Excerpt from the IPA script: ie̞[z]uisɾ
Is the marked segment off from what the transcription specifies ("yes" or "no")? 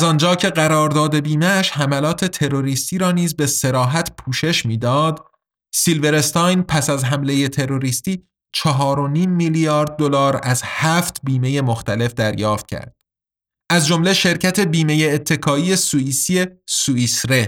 yes